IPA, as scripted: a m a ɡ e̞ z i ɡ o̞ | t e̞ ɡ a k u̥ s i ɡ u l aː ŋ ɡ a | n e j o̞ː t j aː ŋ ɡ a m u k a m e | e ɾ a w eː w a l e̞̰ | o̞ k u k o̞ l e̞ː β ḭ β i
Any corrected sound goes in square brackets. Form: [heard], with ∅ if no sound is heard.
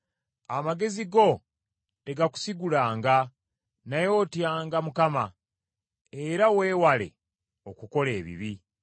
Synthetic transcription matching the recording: a m a ɡ e̞ z i ɡ o̞ | t e̞ ɡ a k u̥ s i ɡ u l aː ŋ ɡ a | n [a] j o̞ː t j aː ŋ ɡ a m u k a m [a] | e ɾ a w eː w a l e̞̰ | o̞ k u k o̞ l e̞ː β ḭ β i